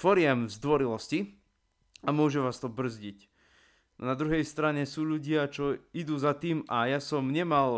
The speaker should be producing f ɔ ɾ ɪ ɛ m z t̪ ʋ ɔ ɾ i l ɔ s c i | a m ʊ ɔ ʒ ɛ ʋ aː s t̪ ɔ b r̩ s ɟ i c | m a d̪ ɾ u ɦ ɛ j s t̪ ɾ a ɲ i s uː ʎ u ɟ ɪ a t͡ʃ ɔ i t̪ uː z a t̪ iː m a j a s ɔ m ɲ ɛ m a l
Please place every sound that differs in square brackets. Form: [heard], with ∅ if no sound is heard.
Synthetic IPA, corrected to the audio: f ɔ ɾ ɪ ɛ m z [d̪] ʋ ɔ ɾ i l ɔ s c i | a m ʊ ɔ ʒ ɛ ʋ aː s t̪ ɔ b r̩ [z] ɟ i c | [n] a d̪ ɾ u ɦ ɛ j s t̪ ɾ a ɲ [ɛ] s uː ʎ u ɟ ɪ a t͡ʃ ɔ i [d̪] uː z a t̪ iː m a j a s ɔ m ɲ ɛ m a l